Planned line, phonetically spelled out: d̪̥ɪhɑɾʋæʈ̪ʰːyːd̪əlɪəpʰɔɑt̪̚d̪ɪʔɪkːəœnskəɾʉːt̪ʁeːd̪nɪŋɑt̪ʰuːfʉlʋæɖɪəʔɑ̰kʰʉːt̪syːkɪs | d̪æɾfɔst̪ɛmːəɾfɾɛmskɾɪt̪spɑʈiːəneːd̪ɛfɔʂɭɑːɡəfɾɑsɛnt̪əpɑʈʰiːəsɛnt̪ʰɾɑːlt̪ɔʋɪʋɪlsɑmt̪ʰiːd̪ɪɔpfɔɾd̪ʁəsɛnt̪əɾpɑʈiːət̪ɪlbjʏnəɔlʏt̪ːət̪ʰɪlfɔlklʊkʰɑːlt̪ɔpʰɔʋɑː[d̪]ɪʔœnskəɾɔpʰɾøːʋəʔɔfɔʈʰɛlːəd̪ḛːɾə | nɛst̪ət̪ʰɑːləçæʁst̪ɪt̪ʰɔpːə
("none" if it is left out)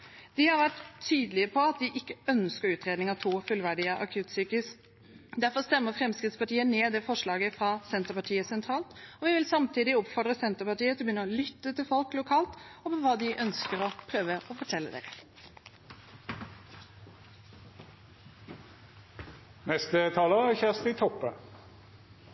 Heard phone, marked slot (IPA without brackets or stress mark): d̪